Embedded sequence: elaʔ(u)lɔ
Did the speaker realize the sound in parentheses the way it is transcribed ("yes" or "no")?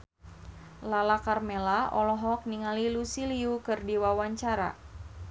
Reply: no